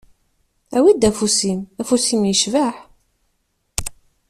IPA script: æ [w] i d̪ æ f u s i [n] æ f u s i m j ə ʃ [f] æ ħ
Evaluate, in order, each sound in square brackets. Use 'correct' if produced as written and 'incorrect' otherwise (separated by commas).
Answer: correct, incorrect, incorrect